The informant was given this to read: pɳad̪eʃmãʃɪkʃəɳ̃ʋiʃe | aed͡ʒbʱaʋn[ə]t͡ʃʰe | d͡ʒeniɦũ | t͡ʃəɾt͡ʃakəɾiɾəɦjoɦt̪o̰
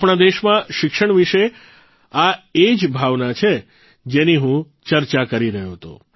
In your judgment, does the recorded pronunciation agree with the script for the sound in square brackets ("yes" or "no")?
no